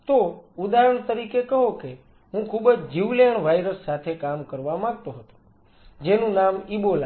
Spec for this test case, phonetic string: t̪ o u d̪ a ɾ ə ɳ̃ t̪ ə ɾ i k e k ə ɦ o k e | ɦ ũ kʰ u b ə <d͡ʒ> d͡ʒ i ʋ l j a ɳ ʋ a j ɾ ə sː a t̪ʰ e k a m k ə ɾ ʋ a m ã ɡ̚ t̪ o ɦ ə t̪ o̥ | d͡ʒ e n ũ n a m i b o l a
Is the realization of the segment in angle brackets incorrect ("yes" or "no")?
no